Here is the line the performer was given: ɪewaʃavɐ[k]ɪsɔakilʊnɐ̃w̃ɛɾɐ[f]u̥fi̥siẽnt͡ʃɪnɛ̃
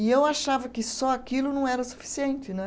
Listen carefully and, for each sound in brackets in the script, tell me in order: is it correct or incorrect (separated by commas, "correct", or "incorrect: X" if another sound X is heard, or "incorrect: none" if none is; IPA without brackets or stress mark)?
correct, incorrect: s